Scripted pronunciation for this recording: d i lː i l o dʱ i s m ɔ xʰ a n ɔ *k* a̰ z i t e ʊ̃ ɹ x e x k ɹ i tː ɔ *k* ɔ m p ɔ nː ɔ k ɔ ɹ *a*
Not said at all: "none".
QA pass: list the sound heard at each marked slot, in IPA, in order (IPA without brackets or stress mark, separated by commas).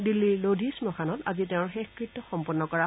t, x, a